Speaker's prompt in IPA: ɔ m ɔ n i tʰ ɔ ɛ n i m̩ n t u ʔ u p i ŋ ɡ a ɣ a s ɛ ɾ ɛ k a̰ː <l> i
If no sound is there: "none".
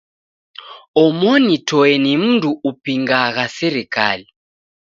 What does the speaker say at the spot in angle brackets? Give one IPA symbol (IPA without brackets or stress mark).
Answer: l